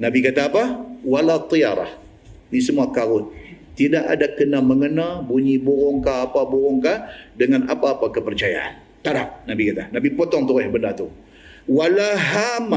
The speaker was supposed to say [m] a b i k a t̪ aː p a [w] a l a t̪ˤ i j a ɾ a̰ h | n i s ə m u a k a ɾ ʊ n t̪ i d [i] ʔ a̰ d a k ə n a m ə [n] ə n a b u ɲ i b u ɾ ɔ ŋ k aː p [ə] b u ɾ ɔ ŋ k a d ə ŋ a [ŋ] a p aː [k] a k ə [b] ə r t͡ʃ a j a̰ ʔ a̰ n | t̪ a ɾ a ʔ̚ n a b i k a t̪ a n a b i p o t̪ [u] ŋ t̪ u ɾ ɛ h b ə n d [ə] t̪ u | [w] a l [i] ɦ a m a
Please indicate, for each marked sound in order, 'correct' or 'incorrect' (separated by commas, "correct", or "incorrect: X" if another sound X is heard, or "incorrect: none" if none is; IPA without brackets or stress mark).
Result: incorrect: n, correct, incorrect: a, incorrect: ŋ, incorrect: a, incorrect: n, incorrect: p, incorrect: p, incorrect: ɔ, incorrect: a, correct, incorrect: a